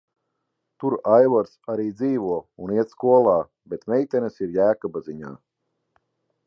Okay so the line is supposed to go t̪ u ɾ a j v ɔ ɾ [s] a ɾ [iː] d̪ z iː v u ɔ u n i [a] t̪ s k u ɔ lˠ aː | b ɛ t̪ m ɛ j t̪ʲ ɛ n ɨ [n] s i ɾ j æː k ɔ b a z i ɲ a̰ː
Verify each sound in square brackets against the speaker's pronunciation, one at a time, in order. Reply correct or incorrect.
correct, correct, incorrect, incorrect

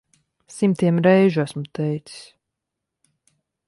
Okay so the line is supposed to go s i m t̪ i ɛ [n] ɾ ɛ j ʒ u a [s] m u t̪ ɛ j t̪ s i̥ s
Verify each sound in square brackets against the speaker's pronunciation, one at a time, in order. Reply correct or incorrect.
incorrect, correct

